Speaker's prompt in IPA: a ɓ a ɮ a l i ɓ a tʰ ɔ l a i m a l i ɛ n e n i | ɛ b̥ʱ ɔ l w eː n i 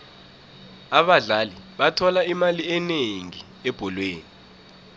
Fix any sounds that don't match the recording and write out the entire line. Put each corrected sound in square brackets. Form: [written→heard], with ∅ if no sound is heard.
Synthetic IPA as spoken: a ɓ a ɮ a l i ɓ a tʰ ɔ l a i m a l i ɛ n e [n→ŋ] i | ɛ b̥ʱ ɔ l w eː n i